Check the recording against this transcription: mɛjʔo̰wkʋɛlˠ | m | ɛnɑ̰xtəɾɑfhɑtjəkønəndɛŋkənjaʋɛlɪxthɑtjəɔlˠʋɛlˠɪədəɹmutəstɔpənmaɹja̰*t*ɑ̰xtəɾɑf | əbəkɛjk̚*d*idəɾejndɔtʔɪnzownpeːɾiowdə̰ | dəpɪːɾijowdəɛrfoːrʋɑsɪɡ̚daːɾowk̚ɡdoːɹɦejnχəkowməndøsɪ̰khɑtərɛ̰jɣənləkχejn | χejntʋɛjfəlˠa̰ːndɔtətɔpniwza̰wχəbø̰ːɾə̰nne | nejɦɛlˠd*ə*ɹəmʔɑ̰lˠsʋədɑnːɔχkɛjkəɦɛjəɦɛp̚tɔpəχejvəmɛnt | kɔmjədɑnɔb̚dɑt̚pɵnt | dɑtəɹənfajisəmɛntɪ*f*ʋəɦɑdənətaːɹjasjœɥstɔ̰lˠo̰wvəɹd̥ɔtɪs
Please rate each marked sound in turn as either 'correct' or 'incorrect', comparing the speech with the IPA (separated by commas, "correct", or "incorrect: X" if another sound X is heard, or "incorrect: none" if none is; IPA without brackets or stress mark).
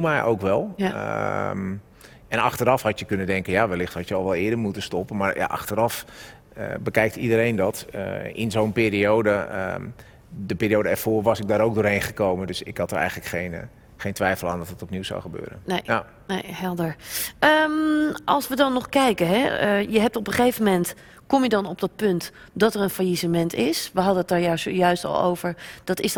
incorrect: ʔ, incorrect: t, correct, incorrect: s